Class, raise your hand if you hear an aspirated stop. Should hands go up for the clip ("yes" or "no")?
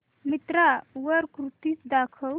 yes